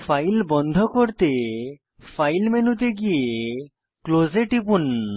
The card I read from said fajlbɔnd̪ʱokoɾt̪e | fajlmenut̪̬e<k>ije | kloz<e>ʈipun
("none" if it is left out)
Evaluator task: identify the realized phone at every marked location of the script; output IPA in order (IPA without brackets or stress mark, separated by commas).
ɡ, e